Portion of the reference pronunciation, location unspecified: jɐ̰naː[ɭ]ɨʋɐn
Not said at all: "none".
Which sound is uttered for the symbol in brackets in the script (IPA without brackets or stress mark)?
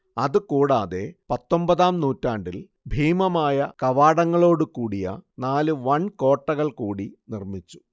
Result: l